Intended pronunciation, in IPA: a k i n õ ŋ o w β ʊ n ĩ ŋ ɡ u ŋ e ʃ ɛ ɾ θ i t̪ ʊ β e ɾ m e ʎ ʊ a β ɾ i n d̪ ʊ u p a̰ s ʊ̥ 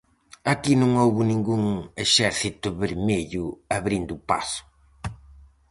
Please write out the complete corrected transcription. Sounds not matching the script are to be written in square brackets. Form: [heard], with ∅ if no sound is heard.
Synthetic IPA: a k i n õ ŋ o w β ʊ n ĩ ŋ ɡ u ŋ e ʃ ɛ ɾ θ i t̪ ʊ β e ɾ m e ʎ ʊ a β ɾ i n d̪ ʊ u p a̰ s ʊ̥